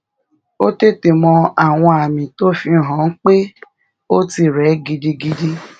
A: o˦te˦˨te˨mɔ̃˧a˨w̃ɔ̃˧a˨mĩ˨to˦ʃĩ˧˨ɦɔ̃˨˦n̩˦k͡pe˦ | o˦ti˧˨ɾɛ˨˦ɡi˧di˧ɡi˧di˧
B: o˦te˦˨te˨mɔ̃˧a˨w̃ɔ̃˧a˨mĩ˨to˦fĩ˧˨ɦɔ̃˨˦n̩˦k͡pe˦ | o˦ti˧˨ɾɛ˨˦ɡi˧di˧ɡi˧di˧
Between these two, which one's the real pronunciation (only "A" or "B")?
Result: B